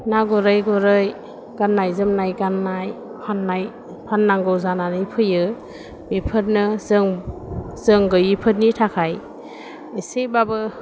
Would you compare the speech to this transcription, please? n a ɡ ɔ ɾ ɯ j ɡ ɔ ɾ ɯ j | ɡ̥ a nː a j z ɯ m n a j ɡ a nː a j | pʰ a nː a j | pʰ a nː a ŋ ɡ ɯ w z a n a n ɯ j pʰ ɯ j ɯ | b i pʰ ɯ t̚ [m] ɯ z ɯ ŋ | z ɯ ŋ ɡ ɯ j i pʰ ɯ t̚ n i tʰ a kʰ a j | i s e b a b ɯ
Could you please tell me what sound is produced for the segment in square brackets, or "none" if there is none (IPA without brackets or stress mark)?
n